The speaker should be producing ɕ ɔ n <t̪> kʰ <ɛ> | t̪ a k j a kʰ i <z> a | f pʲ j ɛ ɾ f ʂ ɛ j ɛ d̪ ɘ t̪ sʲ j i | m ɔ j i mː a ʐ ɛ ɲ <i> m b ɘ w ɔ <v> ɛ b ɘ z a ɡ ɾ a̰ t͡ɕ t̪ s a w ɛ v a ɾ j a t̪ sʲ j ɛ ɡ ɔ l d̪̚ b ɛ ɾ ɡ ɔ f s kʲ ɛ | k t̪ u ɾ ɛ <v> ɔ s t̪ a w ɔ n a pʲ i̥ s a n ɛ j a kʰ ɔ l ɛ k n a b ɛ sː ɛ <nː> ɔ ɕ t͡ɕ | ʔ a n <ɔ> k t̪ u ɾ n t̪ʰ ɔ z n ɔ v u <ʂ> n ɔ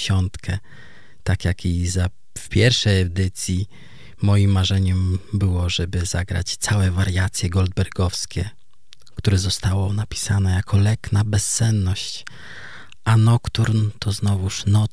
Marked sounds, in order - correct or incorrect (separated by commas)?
correct, correct, correct, incorrect, incorrect, incorrect, correct, correct, correct